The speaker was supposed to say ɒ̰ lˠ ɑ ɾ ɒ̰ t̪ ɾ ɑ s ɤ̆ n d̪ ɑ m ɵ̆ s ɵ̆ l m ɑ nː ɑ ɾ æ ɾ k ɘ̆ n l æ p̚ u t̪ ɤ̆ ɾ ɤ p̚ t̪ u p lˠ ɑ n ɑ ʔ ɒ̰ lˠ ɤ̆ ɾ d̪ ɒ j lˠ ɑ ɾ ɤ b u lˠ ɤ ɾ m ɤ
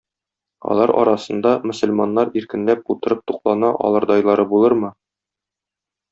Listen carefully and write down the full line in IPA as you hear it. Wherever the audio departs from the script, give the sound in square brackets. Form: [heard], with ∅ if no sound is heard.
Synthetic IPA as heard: ɒ̰ lˠ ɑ ɾ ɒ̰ [∅] ɾ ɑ s ɤ̆ n d̪ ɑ m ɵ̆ s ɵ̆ l m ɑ nː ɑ ɾ [i] ɾ k ɘ̆ n l æ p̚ u t̪ ɤ̆ ɾ ɤ p̚ t̪ u [q] lˠ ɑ n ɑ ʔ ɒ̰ lˠ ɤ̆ ɾ d̪ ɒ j lˠ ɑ ɾ ɤ b u lˠ ɤ ɾ m ɤ